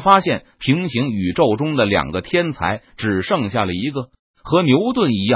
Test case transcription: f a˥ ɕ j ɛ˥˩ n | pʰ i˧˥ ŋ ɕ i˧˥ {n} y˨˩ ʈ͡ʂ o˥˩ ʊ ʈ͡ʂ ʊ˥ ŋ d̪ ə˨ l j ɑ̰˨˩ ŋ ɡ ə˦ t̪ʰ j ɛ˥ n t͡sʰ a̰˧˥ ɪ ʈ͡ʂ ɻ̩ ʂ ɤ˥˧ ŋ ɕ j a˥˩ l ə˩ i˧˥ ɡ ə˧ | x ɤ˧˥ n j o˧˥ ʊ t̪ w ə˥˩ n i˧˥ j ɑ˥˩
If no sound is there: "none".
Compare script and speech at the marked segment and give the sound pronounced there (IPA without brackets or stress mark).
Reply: ŋ